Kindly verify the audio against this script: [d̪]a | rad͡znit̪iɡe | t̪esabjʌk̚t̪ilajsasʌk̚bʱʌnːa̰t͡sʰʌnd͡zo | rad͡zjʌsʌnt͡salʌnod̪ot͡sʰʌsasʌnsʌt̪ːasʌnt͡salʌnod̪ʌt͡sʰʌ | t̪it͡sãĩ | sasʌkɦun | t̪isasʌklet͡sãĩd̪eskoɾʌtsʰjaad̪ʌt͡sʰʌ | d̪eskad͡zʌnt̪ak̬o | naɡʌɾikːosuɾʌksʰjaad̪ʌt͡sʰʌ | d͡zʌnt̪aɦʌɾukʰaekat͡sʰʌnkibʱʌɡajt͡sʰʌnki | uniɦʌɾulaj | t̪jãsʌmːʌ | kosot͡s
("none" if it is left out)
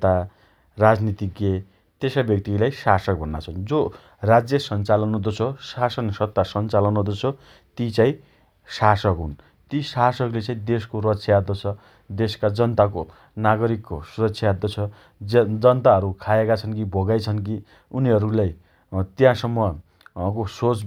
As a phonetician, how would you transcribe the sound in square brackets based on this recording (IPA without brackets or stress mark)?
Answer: t̪